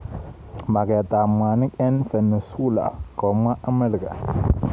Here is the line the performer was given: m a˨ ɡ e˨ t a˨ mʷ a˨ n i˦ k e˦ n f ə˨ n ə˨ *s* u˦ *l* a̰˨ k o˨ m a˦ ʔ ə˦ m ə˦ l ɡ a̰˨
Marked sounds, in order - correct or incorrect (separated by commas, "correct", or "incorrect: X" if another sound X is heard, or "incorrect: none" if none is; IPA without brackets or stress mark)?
correct, correct